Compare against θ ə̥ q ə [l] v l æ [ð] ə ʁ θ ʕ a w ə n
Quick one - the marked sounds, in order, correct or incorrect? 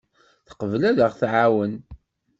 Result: incorrect: none, correct

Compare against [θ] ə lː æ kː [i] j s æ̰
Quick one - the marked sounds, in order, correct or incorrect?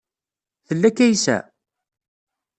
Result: correct, incorrect: æ

